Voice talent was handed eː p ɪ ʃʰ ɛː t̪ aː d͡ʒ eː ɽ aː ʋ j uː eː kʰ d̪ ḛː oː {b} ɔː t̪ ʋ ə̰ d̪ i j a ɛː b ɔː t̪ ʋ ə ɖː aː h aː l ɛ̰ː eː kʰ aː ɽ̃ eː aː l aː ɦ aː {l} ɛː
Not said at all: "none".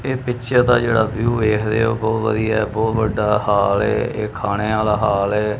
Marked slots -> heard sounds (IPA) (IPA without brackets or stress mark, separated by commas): b, l